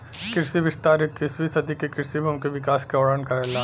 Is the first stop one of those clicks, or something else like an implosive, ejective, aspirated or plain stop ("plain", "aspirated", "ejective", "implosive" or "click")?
plain